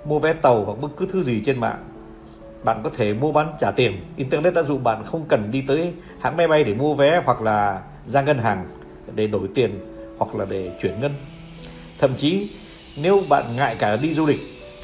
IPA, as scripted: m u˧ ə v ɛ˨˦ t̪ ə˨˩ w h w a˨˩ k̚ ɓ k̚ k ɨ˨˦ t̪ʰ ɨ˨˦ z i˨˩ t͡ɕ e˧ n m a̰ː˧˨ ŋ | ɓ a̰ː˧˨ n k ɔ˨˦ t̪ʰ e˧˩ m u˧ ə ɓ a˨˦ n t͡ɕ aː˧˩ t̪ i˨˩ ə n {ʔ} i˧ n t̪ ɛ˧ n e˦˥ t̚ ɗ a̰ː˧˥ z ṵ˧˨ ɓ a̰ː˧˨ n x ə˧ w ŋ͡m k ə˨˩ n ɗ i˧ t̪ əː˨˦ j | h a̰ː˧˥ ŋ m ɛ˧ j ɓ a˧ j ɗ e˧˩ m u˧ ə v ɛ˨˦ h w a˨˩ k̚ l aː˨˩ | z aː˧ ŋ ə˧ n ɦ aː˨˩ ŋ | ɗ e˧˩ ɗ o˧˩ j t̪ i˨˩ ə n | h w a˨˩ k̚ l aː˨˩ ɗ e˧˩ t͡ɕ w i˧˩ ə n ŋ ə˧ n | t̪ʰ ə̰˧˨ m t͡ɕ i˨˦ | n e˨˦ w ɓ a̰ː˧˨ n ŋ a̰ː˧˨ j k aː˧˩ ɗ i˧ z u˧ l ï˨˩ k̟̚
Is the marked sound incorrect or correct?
correct